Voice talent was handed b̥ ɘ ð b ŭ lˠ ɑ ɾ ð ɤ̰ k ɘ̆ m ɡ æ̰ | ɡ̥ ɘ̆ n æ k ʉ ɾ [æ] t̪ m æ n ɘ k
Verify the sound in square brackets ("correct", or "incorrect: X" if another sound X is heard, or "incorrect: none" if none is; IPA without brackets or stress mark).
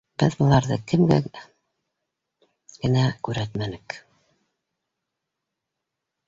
correct